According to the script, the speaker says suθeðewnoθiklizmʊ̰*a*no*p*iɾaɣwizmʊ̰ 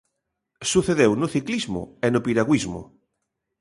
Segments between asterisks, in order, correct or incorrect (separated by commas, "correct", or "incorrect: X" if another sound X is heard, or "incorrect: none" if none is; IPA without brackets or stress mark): incorrect: e, correct